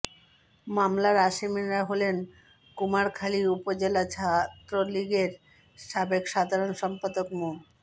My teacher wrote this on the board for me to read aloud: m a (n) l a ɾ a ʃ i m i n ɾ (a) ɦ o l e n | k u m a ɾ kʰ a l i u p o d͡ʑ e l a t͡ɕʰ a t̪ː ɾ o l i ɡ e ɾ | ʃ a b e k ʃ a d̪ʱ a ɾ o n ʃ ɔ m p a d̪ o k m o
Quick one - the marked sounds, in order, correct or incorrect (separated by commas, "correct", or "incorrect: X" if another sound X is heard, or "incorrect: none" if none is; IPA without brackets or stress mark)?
incorrect: m, correct